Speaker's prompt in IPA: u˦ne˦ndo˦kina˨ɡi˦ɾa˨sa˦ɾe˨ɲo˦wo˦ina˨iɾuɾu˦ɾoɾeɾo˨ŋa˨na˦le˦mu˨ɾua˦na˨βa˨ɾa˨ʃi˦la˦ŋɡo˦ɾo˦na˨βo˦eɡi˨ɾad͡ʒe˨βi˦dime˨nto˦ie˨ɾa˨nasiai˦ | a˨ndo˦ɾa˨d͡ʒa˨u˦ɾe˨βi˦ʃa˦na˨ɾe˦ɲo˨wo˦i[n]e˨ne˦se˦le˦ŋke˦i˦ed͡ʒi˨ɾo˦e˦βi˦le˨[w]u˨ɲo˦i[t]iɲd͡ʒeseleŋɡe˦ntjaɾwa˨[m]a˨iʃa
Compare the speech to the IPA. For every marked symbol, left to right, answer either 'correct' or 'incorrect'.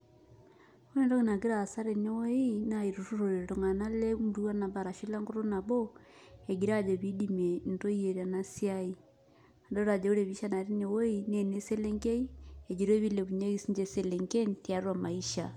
correct, incorrect, incorrect, correct

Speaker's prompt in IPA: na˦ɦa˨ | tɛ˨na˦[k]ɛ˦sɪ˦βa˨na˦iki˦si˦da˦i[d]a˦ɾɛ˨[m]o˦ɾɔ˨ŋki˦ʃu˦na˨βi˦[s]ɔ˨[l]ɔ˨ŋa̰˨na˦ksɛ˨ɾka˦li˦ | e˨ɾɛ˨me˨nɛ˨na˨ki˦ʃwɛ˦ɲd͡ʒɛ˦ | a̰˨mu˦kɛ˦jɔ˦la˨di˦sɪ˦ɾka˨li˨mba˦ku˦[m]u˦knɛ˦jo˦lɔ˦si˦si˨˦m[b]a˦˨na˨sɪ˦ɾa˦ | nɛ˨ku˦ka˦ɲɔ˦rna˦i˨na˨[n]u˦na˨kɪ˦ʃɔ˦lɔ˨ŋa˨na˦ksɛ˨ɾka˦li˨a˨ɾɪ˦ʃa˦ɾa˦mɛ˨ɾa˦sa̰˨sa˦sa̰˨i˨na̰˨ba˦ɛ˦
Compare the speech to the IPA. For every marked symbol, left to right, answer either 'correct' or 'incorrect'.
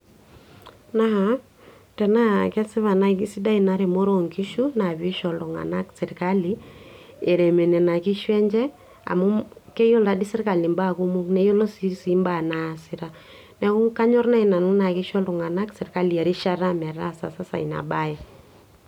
correct, incorrect, correct, incorrect, correct, correct, correct, correct

